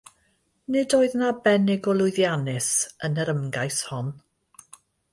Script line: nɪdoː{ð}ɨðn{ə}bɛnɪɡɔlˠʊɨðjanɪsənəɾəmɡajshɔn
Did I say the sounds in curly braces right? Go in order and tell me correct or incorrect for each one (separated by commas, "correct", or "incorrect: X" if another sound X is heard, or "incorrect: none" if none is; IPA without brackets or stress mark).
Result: incorrect: none, incorrect: a